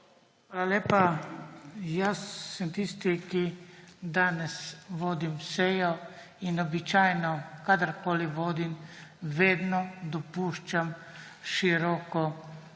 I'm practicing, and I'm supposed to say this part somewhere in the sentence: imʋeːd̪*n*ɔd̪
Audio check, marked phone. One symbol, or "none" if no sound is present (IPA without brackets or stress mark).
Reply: n